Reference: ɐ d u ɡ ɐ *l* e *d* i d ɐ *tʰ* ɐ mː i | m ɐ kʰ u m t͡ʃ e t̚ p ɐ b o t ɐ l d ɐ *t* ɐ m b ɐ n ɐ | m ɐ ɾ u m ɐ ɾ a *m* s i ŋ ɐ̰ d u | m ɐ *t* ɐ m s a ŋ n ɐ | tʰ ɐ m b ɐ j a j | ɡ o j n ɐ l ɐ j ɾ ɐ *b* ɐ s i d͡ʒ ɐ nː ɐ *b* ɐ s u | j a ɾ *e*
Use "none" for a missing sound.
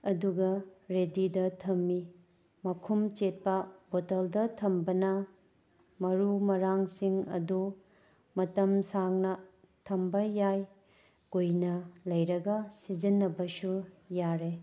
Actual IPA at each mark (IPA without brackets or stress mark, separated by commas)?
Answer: ɾ, d, tʰ, tʰ, ŋ, t, ɡ, b, e